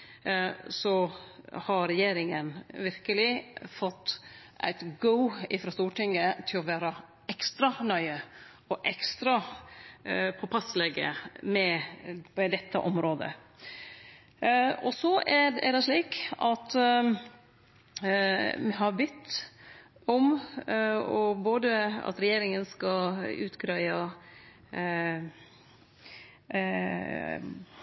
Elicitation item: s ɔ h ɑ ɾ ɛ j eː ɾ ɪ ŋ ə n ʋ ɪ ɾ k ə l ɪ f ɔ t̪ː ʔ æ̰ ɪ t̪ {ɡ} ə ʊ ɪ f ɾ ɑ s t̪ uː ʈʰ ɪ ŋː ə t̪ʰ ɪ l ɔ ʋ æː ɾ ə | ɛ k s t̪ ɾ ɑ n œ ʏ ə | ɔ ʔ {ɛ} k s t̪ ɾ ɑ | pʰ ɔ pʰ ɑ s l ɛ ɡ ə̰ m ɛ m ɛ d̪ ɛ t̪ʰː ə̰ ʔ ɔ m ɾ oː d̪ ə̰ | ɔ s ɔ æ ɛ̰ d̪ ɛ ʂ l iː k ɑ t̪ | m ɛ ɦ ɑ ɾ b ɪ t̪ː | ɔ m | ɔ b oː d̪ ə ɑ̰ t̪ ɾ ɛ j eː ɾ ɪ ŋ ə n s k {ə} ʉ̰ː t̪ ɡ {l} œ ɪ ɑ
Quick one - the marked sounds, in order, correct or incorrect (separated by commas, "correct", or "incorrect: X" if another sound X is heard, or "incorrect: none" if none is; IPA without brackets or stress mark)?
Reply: correct, correct, incorrect: ɑ, incorrect: ɾ